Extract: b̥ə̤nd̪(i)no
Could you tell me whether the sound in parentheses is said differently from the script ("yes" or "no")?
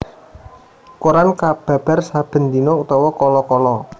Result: no